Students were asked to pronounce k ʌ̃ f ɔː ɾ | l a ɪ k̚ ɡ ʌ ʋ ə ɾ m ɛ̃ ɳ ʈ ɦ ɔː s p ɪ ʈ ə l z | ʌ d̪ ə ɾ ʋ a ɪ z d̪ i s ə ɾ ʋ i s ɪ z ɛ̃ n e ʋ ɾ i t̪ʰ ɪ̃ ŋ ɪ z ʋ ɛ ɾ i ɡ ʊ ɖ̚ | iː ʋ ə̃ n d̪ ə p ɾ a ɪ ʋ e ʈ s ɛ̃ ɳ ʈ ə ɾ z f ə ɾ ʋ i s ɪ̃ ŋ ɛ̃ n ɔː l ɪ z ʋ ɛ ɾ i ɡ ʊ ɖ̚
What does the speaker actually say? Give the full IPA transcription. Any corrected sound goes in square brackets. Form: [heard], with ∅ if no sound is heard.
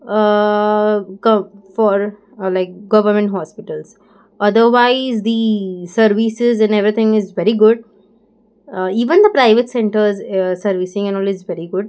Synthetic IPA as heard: k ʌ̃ f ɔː ɾ | l a ɪ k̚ ɡ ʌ ʋ ə ɾ m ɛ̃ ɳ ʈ ɦ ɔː s p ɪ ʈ ə l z | ʌ d̪ ə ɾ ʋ a ɪ z d̪ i s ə ɾ ʋ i s ɪ z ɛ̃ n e ʋ ɾ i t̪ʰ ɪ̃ ŋ ɪ z ʋ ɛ ɾ i ɡ ʊ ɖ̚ | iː ʋ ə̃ n d̪ ə p ɾ a ɪ ʋ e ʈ s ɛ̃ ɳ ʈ ə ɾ z [s] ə ɾ ʋ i s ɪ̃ ŋ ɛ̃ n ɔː l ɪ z ʋ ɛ ɾ i ɡ ʊ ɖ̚